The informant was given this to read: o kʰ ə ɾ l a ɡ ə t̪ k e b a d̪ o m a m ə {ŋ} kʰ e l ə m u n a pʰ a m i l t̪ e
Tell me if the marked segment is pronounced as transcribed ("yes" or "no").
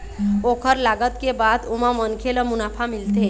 no